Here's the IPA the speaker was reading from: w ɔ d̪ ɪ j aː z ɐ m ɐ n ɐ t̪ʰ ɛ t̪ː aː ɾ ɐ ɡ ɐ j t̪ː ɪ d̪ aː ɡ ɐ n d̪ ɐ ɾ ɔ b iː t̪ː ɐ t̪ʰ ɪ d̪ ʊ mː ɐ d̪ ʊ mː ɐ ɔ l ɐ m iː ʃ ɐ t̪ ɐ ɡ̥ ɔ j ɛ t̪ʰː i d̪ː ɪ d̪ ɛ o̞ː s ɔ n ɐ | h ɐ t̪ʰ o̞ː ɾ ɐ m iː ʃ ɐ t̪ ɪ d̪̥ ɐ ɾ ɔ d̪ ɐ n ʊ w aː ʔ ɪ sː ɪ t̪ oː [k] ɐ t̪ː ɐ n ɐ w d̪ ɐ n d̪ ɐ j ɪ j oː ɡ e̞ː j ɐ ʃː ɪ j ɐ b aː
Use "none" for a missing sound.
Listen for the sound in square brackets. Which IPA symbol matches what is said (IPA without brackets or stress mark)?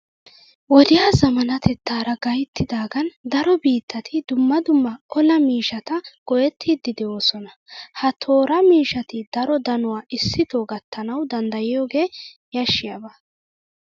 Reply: ɡ